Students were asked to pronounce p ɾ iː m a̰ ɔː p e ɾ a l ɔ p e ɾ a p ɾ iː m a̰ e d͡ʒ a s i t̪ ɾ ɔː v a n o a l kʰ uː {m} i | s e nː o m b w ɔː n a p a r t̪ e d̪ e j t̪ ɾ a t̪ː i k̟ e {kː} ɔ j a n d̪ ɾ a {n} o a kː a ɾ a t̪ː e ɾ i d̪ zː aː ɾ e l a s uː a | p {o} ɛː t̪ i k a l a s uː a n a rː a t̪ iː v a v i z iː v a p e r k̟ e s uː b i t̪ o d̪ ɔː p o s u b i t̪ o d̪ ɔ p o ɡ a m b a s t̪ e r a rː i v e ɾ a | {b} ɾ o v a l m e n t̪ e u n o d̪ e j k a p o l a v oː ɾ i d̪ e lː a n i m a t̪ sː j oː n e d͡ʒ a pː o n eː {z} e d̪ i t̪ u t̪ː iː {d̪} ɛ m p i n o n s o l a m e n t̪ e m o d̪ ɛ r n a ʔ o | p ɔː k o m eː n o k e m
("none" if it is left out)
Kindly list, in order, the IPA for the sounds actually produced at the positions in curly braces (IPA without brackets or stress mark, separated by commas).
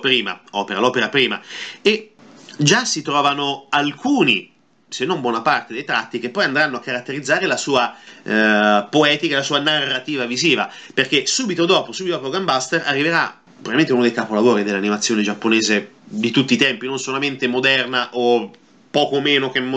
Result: n, pː, nː, o, p, z, t̪